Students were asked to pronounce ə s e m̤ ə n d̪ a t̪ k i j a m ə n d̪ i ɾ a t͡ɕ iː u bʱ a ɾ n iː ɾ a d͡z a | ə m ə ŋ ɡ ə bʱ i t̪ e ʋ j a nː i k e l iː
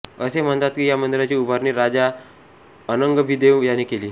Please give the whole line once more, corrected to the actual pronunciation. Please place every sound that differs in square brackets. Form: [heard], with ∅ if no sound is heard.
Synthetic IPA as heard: ə s e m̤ ə n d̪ a t̪ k i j a m ə n d̪ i ɾ a t͡ɕ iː u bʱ a ɾ n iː ɾ a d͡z a | ə [n] ə ŋ ɡ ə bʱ i [d̪] e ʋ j a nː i k e l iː